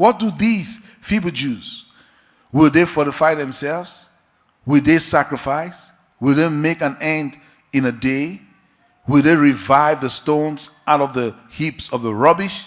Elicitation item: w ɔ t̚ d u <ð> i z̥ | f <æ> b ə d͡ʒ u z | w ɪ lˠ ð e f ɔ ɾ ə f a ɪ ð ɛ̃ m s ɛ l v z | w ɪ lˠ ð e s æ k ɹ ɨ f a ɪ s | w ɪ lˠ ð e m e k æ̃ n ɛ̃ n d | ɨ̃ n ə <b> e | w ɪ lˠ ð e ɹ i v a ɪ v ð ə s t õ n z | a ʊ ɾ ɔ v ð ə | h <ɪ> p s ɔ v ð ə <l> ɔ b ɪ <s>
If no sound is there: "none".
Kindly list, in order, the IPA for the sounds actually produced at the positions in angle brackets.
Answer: ð, i, d, i, ɹ, ʃ

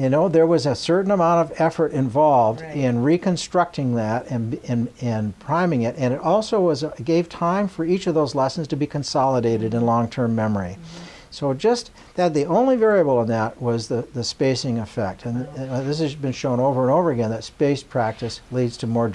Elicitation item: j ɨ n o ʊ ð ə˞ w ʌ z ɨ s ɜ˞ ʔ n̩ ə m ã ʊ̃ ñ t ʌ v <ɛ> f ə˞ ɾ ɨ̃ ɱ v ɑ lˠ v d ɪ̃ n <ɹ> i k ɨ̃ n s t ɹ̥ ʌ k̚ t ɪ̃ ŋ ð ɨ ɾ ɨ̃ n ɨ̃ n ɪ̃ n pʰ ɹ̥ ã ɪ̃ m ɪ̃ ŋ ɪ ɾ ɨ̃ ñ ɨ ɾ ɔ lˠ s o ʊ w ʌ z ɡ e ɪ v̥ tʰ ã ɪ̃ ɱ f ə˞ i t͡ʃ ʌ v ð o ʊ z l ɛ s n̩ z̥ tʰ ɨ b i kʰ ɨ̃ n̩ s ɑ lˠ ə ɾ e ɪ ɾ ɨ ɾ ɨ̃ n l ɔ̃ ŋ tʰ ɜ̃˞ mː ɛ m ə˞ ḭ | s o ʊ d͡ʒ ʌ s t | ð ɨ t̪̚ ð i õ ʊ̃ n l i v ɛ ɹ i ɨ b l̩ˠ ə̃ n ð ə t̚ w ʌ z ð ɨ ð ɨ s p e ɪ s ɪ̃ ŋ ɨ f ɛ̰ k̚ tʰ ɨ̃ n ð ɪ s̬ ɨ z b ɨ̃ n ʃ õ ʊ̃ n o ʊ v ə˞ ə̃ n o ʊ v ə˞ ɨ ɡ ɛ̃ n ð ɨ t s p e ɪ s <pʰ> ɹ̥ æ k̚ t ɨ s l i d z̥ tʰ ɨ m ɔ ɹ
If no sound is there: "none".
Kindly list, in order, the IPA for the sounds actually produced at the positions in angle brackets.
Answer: ɛ, ɹ, pʰ

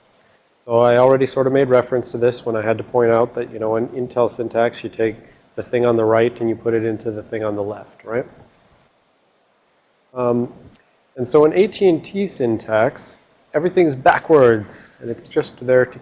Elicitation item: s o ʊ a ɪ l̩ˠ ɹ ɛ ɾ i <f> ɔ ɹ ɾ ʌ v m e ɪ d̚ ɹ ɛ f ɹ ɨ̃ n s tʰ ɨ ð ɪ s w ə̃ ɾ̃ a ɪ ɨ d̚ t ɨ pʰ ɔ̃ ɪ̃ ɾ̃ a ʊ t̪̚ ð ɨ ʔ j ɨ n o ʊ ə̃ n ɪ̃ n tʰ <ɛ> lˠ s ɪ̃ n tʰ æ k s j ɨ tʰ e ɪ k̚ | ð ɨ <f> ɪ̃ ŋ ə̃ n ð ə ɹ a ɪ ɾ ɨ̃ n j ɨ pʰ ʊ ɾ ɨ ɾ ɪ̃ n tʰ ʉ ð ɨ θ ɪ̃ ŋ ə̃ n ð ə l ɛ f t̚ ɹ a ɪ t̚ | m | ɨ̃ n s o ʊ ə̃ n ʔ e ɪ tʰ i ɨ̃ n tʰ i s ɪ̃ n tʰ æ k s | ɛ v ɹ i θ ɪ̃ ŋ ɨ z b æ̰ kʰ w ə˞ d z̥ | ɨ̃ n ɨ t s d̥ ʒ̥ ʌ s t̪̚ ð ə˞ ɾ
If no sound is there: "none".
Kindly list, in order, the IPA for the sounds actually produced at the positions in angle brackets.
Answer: s, ɛ, θ

